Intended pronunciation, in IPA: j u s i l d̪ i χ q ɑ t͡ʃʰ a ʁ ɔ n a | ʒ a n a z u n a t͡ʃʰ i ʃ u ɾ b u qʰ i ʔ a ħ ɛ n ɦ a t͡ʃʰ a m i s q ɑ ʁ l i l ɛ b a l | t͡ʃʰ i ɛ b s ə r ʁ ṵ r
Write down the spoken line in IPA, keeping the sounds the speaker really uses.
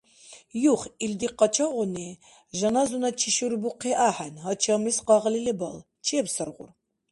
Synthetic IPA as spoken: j u χ i l d̪ i q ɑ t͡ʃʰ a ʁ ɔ n i | ʒ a n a z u n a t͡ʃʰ i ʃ u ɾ b u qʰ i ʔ a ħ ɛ n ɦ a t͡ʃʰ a m i s q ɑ ʁ l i l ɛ b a l | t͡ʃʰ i ɛ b s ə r ʁ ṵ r